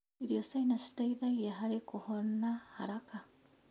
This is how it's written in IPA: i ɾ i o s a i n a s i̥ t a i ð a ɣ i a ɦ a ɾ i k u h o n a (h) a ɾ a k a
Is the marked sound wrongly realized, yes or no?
no